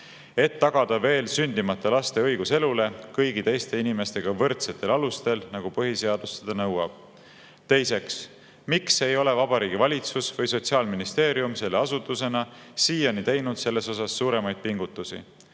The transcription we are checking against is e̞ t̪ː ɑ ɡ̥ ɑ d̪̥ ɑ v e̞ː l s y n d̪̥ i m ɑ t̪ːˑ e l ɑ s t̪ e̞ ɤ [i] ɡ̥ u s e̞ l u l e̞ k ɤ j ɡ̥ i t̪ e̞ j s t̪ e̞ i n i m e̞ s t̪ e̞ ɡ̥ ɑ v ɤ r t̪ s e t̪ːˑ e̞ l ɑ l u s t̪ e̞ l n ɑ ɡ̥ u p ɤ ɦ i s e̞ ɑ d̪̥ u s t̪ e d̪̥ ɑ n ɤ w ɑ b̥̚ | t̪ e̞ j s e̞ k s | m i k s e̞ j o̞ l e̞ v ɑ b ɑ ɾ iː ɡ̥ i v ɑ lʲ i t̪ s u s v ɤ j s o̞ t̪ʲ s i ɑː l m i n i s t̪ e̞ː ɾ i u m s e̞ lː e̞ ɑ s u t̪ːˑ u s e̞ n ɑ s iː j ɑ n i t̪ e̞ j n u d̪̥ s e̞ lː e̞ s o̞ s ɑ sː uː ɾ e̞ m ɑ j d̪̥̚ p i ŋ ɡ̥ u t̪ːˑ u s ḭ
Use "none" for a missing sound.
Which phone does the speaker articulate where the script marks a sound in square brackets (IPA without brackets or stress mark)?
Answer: j